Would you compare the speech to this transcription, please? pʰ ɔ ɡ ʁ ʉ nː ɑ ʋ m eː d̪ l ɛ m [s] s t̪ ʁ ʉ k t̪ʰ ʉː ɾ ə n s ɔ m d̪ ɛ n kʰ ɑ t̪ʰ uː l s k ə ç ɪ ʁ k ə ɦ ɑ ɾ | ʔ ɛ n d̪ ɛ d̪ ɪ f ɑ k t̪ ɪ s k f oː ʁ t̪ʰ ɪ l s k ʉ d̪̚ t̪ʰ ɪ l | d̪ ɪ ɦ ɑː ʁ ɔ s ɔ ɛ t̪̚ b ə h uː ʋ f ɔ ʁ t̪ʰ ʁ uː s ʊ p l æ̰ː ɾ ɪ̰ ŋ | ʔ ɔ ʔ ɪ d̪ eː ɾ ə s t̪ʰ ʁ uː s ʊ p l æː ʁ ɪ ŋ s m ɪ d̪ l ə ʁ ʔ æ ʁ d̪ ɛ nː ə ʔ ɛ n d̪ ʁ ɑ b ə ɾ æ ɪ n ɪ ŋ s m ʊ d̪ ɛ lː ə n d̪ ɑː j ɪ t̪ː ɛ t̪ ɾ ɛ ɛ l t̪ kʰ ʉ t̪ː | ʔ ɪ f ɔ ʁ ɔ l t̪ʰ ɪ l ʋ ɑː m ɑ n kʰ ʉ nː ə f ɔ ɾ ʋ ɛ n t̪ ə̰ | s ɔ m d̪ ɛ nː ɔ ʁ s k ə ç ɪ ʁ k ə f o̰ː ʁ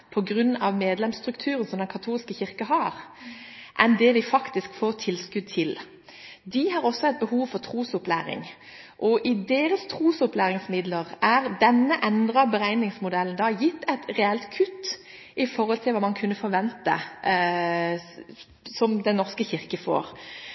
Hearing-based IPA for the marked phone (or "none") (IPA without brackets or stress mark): s